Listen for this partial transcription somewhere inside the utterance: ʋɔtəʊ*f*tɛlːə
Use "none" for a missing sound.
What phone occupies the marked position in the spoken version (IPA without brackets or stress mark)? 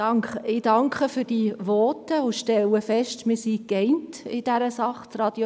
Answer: ʃ